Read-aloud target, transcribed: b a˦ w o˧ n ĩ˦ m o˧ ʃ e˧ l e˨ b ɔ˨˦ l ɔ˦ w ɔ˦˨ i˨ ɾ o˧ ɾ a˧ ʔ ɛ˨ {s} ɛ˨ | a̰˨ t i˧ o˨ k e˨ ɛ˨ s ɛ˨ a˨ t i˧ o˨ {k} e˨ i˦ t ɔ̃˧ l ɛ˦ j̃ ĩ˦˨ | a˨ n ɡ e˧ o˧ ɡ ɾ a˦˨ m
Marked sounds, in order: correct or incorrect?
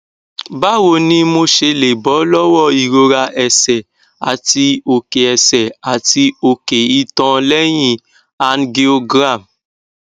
correct, correct

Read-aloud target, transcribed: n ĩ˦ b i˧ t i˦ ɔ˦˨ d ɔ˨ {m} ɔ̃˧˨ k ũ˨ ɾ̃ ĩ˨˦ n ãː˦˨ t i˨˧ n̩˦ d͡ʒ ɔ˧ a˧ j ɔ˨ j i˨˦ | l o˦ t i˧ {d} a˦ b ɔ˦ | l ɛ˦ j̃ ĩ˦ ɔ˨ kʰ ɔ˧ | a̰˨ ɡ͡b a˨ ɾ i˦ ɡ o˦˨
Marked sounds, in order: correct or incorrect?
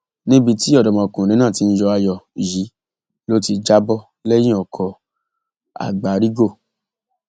correct, incorrect

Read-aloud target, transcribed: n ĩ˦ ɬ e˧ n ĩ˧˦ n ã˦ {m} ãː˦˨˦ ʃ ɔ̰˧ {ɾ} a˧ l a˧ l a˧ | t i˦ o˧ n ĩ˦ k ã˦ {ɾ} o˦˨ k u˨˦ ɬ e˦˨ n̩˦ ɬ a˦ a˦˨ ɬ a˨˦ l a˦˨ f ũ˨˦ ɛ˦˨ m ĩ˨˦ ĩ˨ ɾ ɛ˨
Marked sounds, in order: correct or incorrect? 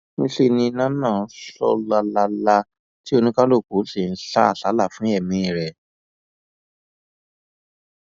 incorrect, incorrect, incorrect

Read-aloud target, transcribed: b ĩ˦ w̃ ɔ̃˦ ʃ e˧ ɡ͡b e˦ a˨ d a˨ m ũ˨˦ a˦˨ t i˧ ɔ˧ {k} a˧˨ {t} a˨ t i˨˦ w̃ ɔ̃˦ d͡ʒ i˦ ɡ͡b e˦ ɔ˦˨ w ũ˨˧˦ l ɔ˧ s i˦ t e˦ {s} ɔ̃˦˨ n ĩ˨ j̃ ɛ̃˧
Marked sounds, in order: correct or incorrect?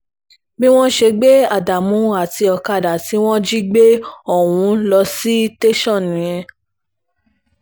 correct, incorrect, incorrect

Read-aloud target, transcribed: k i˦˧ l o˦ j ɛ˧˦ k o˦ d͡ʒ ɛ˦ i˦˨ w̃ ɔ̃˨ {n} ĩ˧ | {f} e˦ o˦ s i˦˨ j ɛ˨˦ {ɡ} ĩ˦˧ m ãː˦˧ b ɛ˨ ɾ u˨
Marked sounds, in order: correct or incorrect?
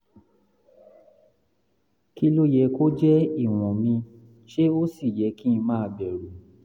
incorrect, incorrect, incorrect

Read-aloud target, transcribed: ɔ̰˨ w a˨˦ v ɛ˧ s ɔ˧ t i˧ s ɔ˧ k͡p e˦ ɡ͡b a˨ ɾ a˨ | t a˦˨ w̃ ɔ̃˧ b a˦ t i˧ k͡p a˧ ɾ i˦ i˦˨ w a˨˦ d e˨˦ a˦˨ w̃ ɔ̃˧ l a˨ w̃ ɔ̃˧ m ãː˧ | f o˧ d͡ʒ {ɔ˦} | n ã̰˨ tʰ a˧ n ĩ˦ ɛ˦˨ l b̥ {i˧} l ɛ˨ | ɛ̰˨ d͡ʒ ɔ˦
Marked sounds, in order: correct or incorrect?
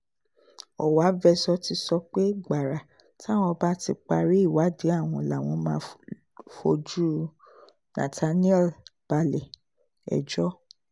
incorrect, incorrect

